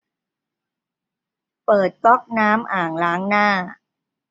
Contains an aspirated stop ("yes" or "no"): no